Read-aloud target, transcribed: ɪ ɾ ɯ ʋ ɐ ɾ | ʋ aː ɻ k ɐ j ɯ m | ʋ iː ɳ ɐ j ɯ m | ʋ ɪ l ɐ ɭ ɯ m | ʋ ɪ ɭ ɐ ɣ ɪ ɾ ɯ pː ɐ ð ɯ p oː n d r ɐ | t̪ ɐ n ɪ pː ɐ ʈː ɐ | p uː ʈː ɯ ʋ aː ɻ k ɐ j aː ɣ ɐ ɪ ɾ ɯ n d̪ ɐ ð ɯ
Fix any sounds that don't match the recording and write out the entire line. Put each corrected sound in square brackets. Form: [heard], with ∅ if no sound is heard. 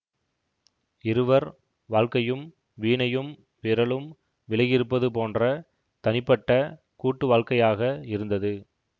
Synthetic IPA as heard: ɪ ɾ ɯ ʋ ɐ ɾ | ʋ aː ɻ k ɐ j ɯ m | ʋ iː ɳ ɐ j ɯ m | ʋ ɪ [ɾ] ɐ ɭ ɯ m | ʋ ɪ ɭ ɐ ɣ ɪ ɾ ɯ pː ɐ ð ɯ p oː n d r ɐ | t̪ ɐ n ɪ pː ɐ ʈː ɐ | [k] uː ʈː ɯ ʋ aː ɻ k ɐ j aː ɣ ɐ ɪ ɾ ɯ n d̪ ɐ ð ɯ